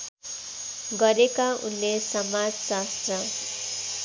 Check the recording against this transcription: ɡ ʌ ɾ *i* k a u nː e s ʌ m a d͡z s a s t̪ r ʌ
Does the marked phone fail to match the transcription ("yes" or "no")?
yes